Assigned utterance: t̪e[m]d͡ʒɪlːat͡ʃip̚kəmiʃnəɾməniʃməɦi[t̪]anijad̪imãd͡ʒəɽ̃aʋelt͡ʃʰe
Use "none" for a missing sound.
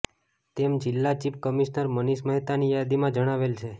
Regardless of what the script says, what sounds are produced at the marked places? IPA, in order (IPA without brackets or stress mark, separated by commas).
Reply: m, t̪